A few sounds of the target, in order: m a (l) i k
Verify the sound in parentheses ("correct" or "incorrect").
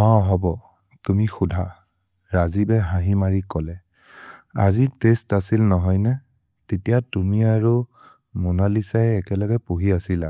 incorrect